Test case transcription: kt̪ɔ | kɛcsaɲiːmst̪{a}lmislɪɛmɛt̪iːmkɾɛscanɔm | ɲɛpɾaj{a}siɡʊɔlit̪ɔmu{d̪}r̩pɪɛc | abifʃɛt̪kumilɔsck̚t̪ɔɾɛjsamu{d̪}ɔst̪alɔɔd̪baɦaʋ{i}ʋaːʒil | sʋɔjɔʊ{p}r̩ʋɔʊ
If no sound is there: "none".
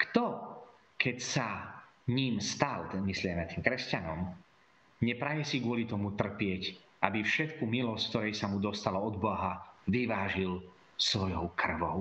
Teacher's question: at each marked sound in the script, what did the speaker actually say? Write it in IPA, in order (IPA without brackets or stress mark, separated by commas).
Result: a, ɛ, t̪, d̪, i, k